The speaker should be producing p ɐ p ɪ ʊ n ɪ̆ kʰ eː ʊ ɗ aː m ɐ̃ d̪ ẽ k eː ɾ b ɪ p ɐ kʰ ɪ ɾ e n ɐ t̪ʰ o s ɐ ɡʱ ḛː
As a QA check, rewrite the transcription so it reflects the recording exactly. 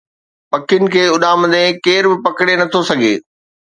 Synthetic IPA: p ɐ k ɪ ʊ n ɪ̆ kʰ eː ʊ ɗ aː m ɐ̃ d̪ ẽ k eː ɾ b ɪ p ɐ k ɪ ɽ e n ɐ t̪ʰ o s ɐ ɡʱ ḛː